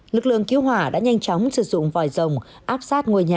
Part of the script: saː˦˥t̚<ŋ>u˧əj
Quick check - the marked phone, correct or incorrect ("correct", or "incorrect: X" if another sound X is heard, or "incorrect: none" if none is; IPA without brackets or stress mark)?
correct